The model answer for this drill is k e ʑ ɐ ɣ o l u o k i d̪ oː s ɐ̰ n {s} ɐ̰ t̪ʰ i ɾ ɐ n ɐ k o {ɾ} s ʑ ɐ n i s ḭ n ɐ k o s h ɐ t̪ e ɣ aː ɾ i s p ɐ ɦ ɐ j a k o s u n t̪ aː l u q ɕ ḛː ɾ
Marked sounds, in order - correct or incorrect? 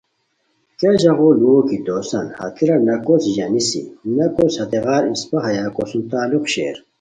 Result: incorrect: h, incorrect: none

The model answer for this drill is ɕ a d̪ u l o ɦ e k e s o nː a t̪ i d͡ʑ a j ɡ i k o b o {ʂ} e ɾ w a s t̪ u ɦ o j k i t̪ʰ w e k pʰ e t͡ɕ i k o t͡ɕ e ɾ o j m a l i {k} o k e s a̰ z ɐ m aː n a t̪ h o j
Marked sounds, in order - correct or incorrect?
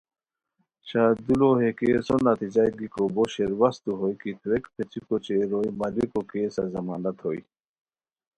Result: incorrect: ɕ, correct

